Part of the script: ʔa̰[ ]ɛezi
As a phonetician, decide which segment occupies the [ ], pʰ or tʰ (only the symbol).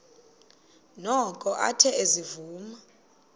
tʰ